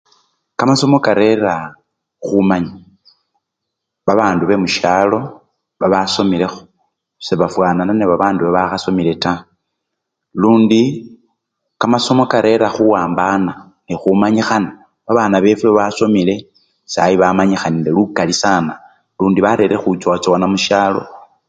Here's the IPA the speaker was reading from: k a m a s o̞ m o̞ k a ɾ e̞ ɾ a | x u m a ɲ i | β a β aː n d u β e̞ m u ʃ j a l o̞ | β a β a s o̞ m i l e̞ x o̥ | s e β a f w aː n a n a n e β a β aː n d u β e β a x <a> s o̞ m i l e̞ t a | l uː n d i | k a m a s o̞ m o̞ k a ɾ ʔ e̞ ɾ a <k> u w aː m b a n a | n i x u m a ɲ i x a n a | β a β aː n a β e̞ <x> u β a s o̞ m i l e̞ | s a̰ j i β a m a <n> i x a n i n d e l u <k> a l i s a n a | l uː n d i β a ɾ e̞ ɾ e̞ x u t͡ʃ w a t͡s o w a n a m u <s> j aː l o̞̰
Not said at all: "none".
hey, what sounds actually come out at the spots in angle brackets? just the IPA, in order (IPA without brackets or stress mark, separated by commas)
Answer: a, x, f, ɲ, k, ʃ